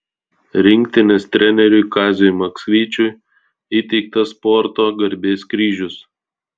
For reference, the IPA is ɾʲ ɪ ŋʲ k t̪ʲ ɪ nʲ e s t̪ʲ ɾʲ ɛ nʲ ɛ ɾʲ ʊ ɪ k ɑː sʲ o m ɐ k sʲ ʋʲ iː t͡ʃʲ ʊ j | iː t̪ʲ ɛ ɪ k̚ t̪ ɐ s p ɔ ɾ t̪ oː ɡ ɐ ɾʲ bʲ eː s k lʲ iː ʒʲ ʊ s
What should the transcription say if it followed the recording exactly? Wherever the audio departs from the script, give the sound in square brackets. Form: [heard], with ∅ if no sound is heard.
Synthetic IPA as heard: ɾʲ ɪ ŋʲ k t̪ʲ ɪ nʲ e s t̪ʲ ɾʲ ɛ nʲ ɛ ɾʲ ʊ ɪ k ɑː [zʲ] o m ɐ k sʲ ʋʲ iː t͡ʃʲ ʊ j | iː t̪ʲ ɛ ɪ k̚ t̪ ɐ s p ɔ ɾ t̪ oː ɡ ɐ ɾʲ bʲ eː s k [ɾʲ] iː ʒʲ ʊ s